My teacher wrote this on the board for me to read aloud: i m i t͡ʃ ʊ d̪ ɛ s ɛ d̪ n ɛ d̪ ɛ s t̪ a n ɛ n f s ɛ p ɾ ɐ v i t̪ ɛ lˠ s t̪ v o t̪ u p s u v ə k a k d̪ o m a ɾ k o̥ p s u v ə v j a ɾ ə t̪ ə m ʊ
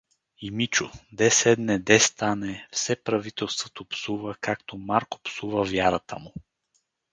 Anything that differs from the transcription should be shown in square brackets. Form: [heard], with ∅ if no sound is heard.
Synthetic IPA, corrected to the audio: i m i t͡ʃ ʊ d̪ ɛ s ɛ d̪ n ɛ d̪ ɛ s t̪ a n ɛ [∅] f s ɛ p ɾ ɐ v i t̪ ɛ lˠ s t̪ v o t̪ [o] p s u v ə k a k [t̪] o m a ɾ k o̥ p s u v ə v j a ɾ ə t̪ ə m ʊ

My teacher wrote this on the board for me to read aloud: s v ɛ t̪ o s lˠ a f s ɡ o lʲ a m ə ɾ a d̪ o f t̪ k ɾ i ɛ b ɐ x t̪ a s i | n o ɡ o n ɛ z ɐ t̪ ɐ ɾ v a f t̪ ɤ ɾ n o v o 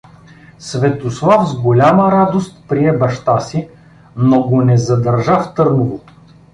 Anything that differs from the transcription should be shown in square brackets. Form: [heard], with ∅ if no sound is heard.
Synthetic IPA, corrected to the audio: s v ɛ t̪ o s lˠ a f [z] ɡ o lʲ a m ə ɾ a d̪ o [s] t̪ [p] ɾ i ɛ b ɐ [ʃ] t̪ a s i | n o ɡ o n ɛ z ɐ [d̪] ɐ ɾ [ʒ] a f t̪ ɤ ɾ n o v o

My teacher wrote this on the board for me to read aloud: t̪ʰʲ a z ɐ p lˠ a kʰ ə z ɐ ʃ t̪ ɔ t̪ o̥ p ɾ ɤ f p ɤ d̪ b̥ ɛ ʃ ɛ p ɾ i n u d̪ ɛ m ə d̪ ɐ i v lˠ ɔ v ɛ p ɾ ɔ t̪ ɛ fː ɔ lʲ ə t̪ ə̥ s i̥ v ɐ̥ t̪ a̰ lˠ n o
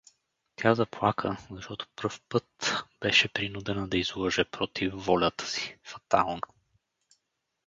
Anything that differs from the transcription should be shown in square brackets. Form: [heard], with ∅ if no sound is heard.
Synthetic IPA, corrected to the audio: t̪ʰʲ a z ɐ p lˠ a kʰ ə z ɐ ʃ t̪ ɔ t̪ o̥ p ɾ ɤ f p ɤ [t̪] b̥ ɛ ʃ ɛ p ɾ i n u d̪ ɛ [n] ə d̪ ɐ i [z] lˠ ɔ [ʒ] ɛ p ɾ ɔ t̪ [i] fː ɔ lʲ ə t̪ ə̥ s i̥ [f] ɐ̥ t̪ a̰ lˠ n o

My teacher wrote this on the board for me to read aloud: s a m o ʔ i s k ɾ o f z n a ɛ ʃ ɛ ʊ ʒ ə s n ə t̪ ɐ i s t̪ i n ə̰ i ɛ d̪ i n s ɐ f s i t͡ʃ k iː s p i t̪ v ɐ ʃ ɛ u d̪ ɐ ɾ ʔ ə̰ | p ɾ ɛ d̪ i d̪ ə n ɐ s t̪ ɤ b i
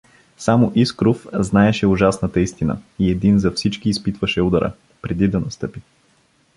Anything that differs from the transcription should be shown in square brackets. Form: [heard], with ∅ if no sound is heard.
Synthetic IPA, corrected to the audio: s a m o ʔ i s k ɾ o f z n a ɛ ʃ ɛ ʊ ʒ [a] s n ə t̪ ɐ i s t̪ i n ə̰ i ɛ d̪ i n [z] ɐ f s i t͡ʃ k iː s p i t̪ v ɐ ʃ ɛ u d̪ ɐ ɾ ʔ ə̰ | p ɾ ɛ d̪ i d̪ [ɐ] n ɐ s t̪ ɤ [p] i

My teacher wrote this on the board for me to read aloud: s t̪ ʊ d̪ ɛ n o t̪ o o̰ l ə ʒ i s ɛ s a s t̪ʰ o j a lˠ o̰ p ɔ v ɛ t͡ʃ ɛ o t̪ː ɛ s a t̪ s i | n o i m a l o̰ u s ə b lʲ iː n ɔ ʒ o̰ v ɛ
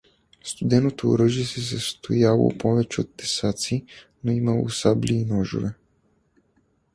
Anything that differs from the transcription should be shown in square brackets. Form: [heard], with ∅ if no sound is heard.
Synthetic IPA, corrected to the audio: s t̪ [u] d̪ ɛ n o t̪ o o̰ [ɾ] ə ʒ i s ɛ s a s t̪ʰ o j a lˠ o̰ p ɔ v ɛ t͡ʃ ɛ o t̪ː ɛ s a t̪ s i | n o i m a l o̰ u s [a] b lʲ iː n ɔ ʒ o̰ v ɛ

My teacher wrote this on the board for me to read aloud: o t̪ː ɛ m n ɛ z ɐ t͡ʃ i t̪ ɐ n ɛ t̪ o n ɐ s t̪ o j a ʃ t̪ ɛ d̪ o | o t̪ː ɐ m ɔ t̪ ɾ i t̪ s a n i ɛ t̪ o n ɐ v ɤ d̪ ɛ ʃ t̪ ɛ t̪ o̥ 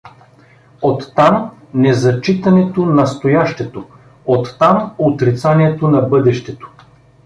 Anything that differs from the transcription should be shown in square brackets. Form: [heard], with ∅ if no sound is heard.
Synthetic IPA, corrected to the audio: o t̪ː [a] m n ɛ z ɐ t͡ʃ i t̪ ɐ n ɛ t̪ o n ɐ s t̪ o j a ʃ t̪ ɛ [t̪] o | o t̪ː [a] m [o] t̪ ɾ i t̪ s a n i ɛ t̪ o n ɐ [b] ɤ d̪ ɛ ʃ t̪ ɛ t̪ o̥

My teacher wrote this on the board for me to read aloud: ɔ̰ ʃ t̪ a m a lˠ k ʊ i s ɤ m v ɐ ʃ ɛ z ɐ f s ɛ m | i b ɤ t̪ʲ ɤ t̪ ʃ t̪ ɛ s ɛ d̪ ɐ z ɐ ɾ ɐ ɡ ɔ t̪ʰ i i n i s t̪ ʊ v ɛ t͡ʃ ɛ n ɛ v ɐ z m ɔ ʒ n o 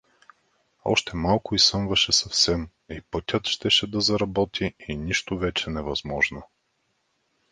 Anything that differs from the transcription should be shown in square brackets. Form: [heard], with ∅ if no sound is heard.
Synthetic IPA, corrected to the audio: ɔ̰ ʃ t̪ [ɛ] m a lˠ k ʊ i s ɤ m v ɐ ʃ ɛ [s] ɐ f s ɛ m | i [p] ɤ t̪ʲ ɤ t̪ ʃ t̪ ɛ [ʃ] ɛ d̪ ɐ z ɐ ɾ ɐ [b] ɔ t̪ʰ i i n i [ʃ] t̪ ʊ v ɛ t͡ʃ ɛ n ɛ v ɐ z m ɔ ʒ n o

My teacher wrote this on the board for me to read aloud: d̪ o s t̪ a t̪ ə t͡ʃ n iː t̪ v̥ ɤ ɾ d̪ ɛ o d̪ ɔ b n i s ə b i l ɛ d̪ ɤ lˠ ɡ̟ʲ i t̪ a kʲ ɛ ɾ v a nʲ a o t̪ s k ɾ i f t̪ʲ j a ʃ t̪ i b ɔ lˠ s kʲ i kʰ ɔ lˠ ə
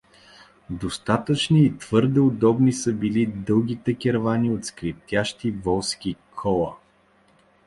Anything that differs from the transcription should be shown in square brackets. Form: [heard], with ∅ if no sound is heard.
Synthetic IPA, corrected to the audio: d̪ o s t̪ a t̪ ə t͡ʃ n iː t̪ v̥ ɤ ɾ d̪ ɛ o d̪ ɔ b n i s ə b i l [i] d̪ ɤ lˠ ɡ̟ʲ i t̪ [ɛ] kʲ ɛ ɾ v a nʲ [i] o t̪ s k ɾ i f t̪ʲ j a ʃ t̪ i [v] ɔ lˠ s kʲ i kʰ ɔ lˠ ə

